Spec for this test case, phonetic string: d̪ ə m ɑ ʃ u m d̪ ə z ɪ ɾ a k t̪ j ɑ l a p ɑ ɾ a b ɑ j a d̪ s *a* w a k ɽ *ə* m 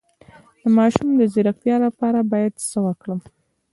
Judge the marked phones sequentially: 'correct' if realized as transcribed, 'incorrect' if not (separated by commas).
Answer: incorrect, correct